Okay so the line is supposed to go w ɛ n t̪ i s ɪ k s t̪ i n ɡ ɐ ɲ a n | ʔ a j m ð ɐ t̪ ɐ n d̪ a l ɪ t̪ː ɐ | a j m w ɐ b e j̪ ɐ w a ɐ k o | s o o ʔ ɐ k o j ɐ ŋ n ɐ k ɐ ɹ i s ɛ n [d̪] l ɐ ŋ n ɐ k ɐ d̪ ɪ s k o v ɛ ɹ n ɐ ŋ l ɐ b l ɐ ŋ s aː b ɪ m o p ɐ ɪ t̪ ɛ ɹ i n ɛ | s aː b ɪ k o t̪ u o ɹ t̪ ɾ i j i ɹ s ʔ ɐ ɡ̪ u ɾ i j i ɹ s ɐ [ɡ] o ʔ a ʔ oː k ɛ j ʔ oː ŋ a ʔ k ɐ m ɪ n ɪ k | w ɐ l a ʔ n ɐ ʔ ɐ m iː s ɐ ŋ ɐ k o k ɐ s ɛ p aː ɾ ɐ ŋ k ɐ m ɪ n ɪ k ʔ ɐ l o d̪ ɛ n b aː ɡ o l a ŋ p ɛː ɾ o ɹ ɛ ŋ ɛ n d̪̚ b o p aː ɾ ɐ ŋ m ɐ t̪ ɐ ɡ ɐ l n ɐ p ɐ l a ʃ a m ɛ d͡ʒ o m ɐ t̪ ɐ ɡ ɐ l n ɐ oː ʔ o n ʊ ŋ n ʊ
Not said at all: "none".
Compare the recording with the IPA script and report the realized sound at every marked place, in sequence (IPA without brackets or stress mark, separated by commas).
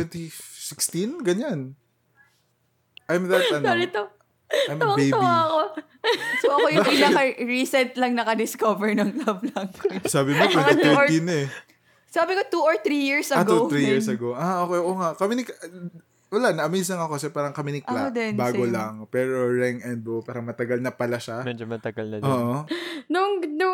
t̪, ɡ